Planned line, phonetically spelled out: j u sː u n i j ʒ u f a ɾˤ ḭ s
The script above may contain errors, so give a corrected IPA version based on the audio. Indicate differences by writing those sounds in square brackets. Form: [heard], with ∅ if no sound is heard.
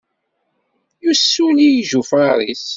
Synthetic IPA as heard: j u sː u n i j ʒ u f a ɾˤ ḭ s